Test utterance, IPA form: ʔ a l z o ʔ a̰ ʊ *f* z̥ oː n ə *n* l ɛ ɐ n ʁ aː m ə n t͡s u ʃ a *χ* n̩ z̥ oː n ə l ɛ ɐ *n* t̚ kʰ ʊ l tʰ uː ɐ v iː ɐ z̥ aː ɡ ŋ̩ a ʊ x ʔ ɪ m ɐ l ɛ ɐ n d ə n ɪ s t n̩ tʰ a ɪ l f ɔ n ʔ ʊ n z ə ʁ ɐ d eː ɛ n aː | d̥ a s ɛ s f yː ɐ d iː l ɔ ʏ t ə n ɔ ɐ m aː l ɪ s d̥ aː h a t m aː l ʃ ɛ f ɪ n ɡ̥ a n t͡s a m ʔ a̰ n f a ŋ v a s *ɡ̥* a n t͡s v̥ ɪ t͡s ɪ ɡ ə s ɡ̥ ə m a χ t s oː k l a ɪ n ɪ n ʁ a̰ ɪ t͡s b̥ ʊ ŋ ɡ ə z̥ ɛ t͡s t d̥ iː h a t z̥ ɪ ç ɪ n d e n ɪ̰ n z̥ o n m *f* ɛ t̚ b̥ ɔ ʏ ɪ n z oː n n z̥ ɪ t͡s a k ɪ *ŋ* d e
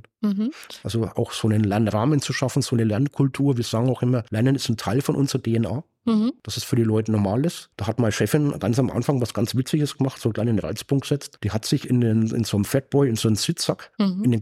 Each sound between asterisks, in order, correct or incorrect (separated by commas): incorrect, correct, incorrect, correct, correct, correct, incorrect